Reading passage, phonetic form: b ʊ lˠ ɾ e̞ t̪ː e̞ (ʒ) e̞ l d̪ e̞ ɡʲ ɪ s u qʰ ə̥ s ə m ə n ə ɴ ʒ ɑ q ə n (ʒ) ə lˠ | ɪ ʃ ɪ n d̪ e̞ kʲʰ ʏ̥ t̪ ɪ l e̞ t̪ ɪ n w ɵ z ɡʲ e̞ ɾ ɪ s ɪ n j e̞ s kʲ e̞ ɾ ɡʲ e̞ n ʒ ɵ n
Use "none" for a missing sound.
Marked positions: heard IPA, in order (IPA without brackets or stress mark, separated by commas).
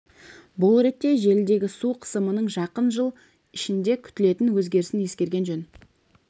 ʒ, ʒ